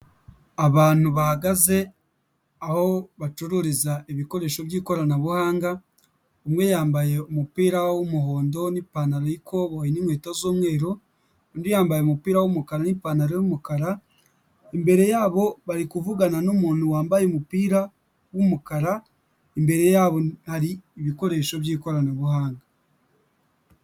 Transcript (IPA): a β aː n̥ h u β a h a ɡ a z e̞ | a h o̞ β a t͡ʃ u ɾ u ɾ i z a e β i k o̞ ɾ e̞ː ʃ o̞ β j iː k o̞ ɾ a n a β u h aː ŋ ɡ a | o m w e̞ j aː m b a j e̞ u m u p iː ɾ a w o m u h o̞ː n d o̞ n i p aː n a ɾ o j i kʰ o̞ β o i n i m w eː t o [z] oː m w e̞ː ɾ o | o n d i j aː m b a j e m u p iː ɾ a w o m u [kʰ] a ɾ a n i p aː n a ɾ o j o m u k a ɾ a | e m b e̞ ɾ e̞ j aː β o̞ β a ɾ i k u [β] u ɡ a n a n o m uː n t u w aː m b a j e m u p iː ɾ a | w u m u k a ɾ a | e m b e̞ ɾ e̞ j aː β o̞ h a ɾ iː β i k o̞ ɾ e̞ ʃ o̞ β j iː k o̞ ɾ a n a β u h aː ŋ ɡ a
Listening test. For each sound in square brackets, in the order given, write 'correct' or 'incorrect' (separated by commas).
correct, incorrect, incorrect